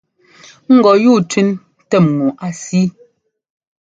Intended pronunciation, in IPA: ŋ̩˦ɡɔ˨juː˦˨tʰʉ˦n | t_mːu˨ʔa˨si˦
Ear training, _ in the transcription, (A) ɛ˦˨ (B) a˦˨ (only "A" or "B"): A